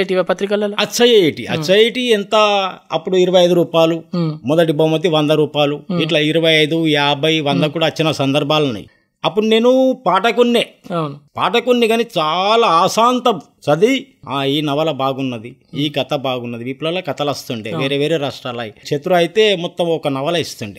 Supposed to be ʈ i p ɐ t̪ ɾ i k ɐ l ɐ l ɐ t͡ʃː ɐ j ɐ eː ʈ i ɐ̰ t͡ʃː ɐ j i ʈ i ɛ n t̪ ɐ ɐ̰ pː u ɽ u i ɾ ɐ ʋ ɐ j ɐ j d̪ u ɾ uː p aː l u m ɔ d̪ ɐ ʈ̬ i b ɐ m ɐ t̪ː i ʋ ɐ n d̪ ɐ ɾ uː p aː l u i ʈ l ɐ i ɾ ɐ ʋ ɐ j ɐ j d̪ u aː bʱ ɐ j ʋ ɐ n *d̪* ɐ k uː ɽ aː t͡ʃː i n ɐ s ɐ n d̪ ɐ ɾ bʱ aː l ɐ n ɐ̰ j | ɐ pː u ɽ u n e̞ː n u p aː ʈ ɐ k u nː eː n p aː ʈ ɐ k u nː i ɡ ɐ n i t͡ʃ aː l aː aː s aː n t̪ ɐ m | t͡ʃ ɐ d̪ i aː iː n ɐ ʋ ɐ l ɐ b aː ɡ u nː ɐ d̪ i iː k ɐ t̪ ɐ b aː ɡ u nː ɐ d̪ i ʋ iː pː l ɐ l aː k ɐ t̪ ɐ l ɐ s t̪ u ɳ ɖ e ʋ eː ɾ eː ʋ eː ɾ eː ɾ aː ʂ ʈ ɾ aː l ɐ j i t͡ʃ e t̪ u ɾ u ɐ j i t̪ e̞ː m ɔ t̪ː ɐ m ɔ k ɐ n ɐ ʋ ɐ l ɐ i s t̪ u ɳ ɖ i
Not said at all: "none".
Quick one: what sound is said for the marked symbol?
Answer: d̪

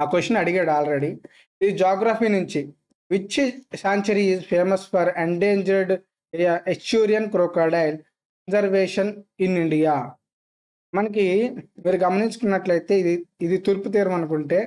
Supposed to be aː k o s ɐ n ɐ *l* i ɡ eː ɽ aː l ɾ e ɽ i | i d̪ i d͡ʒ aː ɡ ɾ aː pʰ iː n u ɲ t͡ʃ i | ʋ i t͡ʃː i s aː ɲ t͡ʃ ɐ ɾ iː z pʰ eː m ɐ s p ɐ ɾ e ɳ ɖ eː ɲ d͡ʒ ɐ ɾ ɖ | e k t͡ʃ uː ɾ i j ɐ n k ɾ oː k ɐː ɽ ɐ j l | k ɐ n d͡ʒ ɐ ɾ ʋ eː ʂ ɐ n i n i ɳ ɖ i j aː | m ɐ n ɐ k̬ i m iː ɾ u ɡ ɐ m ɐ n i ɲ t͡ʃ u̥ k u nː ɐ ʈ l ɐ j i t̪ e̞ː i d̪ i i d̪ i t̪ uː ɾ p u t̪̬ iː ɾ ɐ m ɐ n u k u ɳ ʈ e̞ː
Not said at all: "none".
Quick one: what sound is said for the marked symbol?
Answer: ɽ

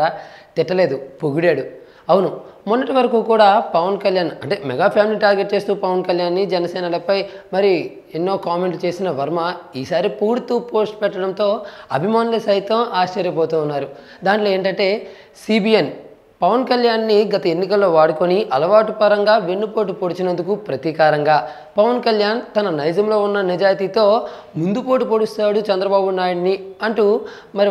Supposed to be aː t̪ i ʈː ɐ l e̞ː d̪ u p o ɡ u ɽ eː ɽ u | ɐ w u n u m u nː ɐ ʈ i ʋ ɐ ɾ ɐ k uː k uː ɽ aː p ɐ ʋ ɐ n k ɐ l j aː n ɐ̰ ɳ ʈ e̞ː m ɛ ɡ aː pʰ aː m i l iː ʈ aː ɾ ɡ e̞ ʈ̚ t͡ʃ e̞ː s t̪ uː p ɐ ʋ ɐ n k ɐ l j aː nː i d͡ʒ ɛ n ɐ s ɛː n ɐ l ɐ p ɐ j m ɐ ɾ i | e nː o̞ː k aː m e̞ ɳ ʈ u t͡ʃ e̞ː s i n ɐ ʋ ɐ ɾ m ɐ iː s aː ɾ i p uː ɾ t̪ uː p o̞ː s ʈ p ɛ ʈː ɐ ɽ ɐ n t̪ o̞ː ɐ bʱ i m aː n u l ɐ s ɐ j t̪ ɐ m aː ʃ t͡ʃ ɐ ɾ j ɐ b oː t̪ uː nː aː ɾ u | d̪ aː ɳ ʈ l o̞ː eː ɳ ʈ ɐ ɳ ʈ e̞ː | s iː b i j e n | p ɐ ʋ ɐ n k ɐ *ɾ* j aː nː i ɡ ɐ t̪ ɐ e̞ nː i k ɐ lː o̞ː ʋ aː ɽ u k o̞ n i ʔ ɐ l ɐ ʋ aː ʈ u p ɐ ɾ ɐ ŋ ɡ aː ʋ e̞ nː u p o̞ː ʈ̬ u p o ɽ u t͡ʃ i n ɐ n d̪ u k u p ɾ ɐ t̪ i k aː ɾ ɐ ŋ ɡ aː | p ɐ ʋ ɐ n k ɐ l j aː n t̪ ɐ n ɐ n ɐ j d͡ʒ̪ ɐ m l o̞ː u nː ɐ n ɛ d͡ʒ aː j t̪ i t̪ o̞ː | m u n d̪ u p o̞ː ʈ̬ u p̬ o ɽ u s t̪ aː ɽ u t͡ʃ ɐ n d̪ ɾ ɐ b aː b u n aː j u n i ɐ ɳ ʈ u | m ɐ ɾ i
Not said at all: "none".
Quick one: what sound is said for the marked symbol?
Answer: l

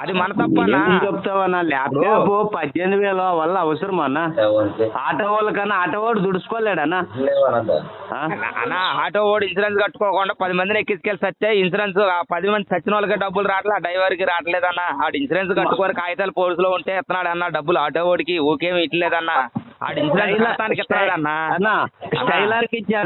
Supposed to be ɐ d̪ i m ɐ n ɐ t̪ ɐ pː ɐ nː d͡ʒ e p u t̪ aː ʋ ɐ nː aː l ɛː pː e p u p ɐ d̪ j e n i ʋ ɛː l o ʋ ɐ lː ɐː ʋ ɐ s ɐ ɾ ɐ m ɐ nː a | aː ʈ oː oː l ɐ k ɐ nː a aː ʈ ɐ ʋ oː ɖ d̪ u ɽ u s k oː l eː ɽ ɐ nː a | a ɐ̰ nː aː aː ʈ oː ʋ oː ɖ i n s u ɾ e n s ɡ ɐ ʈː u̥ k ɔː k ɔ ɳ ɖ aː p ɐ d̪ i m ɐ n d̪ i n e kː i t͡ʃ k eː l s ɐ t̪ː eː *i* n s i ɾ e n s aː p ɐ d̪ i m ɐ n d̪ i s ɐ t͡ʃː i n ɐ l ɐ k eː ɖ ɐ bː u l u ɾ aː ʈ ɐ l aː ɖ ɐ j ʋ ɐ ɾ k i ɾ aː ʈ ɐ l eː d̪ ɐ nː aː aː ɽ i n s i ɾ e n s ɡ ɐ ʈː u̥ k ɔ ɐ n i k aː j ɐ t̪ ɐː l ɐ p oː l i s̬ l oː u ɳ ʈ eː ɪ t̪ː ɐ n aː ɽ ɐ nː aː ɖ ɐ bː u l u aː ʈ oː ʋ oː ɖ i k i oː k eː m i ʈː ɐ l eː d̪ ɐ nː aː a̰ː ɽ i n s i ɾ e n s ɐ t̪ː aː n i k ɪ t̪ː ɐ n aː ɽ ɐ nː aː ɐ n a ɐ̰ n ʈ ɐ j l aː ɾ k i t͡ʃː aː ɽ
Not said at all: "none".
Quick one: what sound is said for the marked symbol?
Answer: i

